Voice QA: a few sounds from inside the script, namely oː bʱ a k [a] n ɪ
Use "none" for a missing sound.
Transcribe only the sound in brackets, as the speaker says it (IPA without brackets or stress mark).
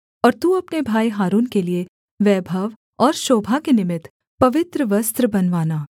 e